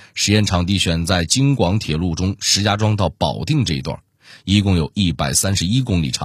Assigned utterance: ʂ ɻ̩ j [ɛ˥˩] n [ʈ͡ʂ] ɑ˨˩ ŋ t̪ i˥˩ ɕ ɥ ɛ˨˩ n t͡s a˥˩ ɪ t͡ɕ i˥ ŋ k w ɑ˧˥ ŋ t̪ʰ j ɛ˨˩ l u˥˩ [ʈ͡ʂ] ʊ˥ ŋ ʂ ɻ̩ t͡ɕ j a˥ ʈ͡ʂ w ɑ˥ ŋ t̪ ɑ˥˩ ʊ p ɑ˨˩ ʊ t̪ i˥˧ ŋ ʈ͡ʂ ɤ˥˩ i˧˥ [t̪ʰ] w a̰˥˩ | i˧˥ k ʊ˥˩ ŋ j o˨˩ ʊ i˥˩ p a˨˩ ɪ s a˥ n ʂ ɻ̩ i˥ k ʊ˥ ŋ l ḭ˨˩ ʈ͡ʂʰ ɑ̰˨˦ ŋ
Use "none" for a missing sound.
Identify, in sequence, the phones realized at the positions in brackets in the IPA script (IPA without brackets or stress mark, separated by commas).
ɛ˥˩, ʈ͡ʂʰ, ʈ͡ʂ, t̪